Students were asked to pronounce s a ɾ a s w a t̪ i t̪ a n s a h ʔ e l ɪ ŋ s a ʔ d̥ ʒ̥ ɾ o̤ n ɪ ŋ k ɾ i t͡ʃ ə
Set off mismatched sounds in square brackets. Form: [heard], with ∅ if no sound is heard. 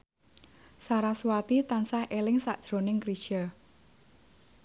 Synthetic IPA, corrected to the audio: s a ɾ a s w a t̪ i t̪ a n s a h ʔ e l ɪ ŋ s a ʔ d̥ ʒ̥ ɾ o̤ n ɪ ŋ k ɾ i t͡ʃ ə